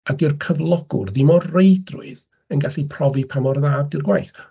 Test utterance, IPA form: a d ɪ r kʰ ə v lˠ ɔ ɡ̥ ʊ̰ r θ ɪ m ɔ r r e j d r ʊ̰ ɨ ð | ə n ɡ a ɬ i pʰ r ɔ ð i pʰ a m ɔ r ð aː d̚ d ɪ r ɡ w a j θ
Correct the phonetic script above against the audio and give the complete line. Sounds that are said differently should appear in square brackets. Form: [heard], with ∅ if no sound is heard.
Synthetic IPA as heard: a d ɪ r kʰ ə v lˠ ɔ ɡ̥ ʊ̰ r [ð] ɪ m ɔ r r e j d r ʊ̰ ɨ ð | ə n ɡ a ɬ i pʰ r ɔ [v] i pʰ a m ɔ r ð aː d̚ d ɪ r ɡ w a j θ

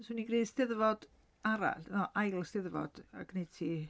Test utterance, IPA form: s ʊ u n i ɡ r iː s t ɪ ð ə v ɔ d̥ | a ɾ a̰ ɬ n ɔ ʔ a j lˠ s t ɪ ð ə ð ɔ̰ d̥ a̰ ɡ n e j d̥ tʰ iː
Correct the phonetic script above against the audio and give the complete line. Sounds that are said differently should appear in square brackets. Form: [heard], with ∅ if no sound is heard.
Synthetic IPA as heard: s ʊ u n i ɡ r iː s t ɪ ð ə v ɔ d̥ | a ɾ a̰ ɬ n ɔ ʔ a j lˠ s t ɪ ð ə [v] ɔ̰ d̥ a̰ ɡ n e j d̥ tʰ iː

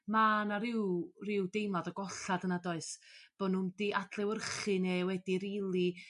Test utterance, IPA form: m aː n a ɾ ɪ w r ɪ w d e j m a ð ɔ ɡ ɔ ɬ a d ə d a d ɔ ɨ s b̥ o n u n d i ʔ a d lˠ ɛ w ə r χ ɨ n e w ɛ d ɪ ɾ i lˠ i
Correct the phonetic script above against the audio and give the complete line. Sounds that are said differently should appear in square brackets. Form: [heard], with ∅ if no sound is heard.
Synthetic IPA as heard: m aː n a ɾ ɪ w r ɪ w d e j m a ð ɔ ɡ ɔ ɬ a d ə [n] a d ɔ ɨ s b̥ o n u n d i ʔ a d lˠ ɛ w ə r χ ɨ n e w ɛ d [i] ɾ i lˠ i

